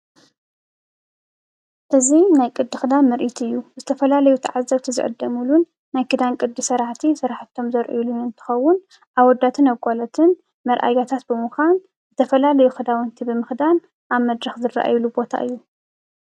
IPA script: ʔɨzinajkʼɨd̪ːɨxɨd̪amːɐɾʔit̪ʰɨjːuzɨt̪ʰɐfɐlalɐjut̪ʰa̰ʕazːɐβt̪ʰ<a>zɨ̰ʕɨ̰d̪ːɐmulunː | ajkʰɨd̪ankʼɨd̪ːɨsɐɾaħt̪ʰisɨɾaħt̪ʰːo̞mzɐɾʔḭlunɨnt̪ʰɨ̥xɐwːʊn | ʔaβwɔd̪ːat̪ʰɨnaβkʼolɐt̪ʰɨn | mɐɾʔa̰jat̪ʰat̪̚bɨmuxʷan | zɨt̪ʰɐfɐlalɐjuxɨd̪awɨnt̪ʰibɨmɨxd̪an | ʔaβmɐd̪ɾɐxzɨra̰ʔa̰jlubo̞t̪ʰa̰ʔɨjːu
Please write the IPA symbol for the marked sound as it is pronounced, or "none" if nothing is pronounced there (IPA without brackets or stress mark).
i